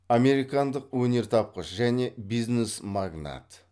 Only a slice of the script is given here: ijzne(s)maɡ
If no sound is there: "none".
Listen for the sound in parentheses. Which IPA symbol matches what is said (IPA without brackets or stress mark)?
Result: s